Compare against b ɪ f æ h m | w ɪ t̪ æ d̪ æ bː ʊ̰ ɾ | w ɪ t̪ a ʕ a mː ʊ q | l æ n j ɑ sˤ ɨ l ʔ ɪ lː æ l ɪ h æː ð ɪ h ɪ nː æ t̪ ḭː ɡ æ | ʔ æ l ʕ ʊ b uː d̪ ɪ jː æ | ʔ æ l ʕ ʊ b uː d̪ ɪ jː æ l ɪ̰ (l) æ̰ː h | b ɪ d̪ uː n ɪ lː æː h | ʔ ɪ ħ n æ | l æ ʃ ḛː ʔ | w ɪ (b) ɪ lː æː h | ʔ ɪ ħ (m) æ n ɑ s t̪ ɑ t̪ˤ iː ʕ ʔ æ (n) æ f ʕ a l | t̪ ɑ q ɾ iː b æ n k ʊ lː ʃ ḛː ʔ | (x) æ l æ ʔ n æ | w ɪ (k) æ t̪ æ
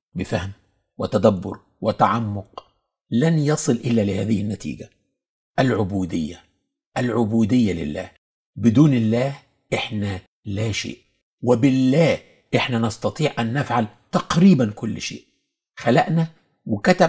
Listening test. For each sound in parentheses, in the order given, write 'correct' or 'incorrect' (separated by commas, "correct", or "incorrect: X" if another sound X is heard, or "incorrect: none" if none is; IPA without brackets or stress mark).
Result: incorrect: lː, correct, incorrect: n, incorrect: nː, correct, correct